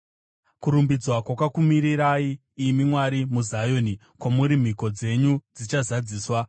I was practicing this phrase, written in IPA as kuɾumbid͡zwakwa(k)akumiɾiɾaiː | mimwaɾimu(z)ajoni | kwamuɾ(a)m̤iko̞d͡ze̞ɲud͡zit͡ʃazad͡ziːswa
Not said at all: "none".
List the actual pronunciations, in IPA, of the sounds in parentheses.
k, z, i

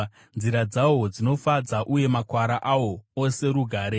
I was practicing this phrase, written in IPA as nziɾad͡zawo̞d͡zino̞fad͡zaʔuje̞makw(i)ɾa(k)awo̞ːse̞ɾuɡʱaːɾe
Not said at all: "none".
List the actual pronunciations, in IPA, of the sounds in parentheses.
a, ʔ

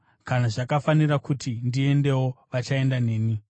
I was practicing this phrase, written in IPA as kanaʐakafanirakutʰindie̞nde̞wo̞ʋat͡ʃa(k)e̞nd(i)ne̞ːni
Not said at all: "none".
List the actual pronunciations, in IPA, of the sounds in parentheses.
none, a

